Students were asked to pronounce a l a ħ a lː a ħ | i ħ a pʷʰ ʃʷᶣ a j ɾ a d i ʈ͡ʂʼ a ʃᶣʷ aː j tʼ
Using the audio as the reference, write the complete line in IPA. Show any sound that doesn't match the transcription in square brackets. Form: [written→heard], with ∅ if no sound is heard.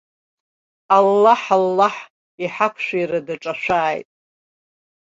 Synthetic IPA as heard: a [l→lː] a ħ a lː a ħ | i ħ a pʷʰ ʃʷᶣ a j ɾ a d [i→a] ʈ͡ʂʼ a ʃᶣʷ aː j tʼ